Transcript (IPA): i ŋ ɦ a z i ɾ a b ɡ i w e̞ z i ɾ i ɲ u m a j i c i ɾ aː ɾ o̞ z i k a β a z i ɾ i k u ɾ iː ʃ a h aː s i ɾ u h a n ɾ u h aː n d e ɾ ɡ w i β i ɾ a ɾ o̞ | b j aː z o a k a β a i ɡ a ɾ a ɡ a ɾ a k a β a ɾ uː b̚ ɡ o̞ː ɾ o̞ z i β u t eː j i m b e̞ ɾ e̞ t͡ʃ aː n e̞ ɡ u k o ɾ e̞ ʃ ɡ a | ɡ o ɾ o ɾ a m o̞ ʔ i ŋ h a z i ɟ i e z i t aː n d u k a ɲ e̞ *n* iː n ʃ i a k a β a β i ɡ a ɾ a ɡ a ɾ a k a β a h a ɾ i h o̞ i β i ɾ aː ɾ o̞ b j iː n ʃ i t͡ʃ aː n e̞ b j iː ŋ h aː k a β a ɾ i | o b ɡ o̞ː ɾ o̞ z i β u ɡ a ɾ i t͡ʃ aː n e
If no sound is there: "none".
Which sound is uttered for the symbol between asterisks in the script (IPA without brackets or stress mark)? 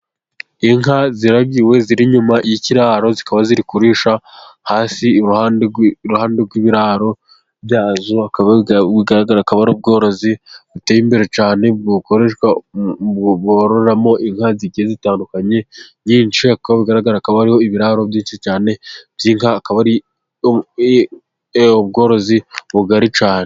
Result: ɲ